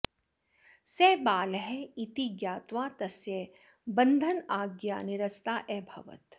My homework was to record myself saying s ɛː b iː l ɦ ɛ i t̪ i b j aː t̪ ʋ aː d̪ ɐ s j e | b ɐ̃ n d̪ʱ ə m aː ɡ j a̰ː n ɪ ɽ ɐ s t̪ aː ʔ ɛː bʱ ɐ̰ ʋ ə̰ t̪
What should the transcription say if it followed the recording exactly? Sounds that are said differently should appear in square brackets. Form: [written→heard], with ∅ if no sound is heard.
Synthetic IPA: s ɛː b [iː→aː] l ɦ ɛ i t̪ i [b→ɡ] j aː t̪ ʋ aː [d̪→t̪] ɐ s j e | b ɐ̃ n d̪ʱ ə [m→n] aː ɡ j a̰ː n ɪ [ɽ→ɾ] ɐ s t̪ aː ʔ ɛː bʱ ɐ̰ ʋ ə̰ t̪